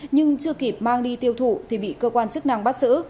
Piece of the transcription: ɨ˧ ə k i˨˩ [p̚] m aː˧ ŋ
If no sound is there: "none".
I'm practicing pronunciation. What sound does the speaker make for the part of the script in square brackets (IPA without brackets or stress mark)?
p̚